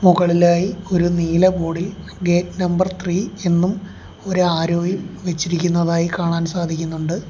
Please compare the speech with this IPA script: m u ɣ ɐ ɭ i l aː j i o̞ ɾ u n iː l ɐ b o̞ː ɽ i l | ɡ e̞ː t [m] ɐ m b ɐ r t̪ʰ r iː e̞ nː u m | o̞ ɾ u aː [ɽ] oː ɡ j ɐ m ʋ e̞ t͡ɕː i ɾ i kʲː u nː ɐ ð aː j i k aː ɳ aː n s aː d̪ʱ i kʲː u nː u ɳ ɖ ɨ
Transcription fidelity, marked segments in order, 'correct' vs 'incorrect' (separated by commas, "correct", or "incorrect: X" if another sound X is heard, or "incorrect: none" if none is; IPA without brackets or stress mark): incorrect: n, incorrect: ɾ